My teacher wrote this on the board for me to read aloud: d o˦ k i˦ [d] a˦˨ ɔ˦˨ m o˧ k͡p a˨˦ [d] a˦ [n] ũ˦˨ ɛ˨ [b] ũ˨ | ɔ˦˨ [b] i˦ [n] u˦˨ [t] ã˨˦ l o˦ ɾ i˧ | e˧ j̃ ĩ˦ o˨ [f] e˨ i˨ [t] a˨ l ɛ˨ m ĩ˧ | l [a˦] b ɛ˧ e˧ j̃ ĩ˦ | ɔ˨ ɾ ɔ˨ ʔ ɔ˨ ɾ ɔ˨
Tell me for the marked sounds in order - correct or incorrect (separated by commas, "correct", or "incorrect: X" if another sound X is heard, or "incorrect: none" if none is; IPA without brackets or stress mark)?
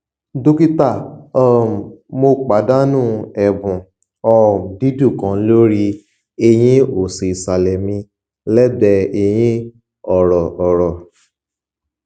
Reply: incorrect: t, correct, correct, correct, incorrect: d, incorrect: d, incorrect: k, incorrect: s, incorrect: s, incorrect: ɛ˦